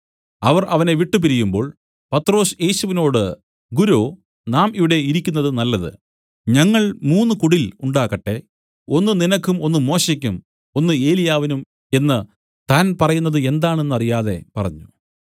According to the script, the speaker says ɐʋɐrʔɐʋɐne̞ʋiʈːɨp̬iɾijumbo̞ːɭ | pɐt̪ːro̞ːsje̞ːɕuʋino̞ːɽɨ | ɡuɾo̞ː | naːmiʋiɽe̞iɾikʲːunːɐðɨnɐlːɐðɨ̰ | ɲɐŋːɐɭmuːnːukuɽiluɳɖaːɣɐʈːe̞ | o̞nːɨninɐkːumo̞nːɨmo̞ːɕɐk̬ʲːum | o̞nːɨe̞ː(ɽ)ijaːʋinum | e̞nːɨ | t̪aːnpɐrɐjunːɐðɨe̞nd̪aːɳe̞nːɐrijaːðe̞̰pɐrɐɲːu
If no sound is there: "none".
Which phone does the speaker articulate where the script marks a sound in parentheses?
l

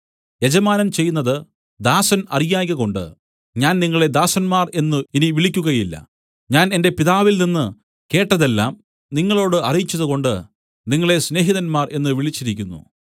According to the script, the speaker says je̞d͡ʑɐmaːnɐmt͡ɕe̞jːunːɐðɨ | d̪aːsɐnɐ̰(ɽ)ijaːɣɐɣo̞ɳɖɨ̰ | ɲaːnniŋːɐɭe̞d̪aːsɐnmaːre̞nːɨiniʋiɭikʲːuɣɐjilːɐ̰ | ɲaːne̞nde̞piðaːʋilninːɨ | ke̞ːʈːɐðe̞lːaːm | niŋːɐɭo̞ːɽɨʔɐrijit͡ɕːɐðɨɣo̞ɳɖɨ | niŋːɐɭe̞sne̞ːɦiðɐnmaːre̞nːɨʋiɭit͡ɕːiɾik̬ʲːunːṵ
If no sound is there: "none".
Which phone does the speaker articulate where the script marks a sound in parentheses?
r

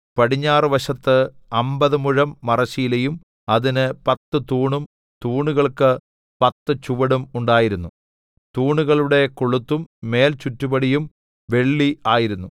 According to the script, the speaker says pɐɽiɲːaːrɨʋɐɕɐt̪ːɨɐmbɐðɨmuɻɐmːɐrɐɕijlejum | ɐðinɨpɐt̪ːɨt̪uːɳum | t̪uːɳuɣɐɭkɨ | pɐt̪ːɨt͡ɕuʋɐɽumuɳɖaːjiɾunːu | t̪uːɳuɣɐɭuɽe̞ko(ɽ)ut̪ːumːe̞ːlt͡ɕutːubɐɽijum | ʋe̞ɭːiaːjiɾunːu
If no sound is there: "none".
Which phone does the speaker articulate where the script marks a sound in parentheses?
ɭ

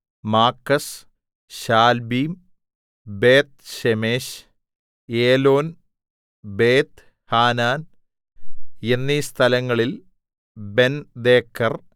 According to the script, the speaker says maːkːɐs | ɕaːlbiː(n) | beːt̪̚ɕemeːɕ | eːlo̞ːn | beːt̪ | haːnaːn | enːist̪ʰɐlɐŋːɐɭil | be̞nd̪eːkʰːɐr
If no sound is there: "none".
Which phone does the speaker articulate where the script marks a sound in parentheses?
m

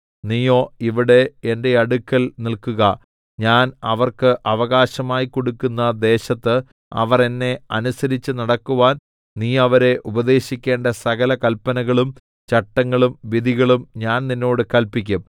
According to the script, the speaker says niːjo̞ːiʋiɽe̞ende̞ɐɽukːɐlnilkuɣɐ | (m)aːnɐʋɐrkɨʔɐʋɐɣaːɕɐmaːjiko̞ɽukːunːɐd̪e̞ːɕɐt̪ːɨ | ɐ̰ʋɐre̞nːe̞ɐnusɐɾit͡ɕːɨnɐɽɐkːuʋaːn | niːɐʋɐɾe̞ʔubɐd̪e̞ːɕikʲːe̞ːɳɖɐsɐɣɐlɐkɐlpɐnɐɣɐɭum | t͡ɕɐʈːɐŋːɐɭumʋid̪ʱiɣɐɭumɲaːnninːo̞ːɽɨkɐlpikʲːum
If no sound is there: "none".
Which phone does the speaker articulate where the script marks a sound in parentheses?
ɲ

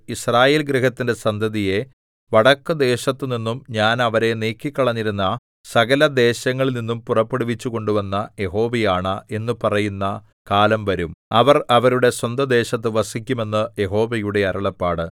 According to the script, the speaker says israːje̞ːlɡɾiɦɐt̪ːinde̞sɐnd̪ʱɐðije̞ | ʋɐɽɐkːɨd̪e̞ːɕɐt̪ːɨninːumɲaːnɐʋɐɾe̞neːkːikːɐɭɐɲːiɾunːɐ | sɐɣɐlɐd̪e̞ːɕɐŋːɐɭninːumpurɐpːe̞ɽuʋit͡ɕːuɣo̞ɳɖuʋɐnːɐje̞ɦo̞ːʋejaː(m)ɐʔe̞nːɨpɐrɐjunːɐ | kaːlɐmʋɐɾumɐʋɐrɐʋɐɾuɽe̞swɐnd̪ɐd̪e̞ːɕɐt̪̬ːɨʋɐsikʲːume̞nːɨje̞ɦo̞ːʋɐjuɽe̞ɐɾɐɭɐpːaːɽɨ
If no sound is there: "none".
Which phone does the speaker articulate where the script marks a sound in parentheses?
ɳ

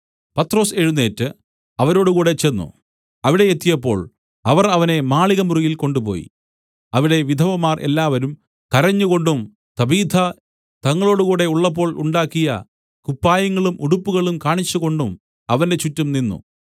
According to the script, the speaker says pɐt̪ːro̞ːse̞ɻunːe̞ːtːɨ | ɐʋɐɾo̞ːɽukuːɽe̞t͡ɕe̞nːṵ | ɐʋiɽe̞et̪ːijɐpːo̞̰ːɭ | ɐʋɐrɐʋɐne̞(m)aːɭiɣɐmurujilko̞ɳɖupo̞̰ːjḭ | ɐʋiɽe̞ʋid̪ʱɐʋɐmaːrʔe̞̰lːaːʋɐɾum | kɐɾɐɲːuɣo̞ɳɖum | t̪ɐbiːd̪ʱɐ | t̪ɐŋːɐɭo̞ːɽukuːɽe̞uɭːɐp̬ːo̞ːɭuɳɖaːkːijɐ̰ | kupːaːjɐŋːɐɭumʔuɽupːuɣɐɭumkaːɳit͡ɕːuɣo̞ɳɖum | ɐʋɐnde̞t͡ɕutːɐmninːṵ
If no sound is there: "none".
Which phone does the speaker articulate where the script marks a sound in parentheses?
m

